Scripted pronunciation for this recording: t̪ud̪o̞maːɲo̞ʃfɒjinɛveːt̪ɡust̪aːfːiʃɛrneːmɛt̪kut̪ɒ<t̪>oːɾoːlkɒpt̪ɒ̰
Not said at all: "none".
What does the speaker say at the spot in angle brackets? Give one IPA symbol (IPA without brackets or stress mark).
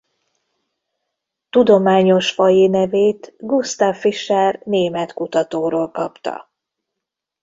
t̪